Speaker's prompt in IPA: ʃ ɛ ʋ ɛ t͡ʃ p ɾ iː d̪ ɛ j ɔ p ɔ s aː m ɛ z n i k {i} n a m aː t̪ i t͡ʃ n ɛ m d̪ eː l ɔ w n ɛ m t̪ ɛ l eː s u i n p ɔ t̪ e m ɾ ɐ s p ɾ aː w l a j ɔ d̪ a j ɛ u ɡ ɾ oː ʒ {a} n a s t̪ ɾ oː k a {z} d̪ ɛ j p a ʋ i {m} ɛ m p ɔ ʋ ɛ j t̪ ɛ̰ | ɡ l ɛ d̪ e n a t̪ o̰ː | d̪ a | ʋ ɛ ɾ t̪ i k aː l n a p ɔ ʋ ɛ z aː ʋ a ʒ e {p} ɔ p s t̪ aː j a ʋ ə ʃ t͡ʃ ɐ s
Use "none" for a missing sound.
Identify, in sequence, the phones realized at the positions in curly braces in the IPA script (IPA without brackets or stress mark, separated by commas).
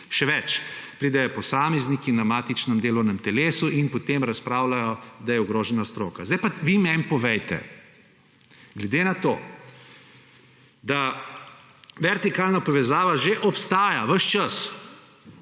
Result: i, ɛ, z, m, ʔ